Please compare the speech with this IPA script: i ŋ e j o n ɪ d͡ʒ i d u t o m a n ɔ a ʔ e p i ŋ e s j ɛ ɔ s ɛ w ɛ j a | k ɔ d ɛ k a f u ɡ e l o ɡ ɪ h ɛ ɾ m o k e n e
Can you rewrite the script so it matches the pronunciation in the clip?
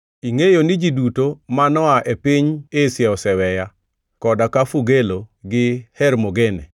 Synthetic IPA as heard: i ŋ e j o n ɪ d͡ʒ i d u t o m a n ɔ a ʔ e p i ɲ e s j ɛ ɔ s ɛ w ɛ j a | k ɔ d a k a f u ɡ e l o ɡ ɪ h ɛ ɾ m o ɡ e n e